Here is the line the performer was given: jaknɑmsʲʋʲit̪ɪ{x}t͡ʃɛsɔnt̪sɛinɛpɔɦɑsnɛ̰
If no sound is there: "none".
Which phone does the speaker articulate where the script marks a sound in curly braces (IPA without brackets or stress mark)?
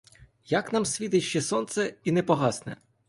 ʃ